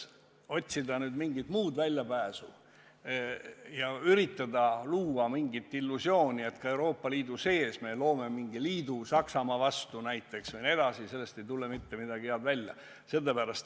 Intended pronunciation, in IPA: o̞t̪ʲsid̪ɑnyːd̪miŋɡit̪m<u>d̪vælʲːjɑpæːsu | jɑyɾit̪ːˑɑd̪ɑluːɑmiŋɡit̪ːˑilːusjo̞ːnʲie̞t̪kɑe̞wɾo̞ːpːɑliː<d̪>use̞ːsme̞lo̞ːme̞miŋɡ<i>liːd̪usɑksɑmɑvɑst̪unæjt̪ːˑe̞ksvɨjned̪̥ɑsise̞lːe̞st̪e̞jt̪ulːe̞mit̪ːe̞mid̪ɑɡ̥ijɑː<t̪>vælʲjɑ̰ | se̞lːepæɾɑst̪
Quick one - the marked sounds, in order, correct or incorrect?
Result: incorrect, correct, correct, incorrect

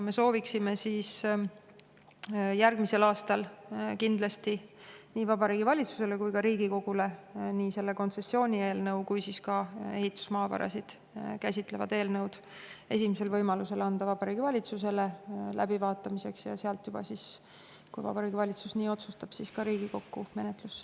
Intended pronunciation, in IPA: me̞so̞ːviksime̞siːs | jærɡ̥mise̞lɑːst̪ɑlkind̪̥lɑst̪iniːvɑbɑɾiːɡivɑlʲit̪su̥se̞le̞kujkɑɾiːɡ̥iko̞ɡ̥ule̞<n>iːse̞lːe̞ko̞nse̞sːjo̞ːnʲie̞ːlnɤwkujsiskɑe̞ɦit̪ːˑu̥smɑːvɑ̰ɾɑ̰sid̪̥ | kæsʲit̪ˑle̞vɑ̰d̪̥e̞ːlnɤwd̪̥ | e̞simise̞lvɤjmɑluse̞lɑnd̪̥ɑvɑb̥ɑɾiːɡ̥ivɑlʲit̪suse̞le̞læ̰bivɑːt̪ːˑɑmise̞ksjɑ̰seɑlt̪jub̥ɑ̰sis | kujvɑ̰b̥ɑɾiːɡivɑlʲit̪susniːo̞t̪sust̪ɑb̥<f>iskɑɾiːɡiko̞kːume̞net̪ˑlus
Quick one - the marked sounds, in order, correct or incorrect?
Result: correct, incorrect

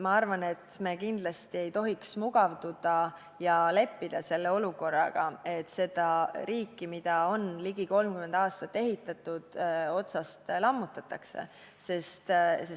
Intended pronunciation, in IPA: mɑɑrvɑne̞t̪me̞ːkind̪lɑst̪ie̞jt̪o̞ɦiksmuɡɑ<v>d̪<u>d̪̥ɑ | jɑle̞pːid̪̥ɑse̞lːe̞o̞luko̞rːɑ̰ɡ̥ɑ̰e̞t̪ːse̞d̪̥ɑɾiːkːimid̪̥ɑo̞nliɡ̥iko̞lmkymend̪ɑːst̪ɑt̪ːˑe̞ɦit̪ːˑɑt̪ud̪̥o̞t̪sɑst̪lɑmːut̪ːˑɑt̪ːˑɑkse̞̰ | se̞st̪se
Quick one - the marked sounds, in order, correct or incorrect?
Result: correct, correct

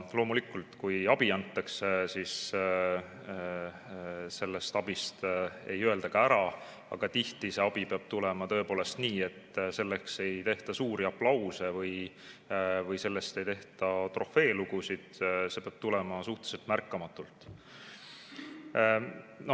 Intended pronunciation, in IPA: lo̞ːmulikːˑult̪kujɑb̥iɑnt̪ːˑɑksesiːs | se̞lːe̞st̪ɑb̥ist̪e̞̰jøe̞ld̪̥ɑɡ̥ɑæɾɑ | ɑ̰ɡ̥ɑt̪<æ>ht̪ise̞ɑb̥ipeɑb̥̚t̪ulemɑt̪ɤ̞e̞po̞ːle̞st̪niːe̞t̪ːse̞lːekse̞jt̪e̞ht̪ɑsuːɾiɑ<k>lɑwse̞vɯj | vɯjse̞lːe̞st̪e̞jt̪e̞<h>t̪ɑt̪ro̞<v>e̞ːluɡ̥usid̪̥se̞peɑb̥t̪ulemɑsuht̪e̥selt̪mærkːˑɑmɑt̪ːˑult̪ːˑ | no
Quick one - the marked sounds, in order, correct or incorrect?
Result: incorrect, incorrect, correct, incorrect

